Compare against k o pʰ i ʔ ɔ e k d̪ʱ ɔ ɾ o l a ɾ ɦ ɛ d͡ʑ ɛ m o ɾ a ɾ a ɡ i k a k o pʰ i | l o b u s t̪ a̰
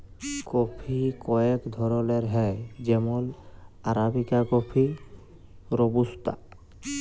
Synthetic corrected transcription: k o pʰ i k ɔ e k d̪ʱ ɔ ɾ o l e ɾ ɦ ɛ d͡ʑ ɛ m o l a ɾ a b i k a k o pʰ i | ɾ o b u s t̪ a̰